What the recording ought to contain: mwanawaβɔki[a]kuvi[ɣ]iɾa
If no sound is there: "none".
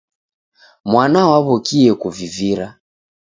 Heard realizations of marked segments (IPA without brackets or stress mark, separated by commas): ɛ, v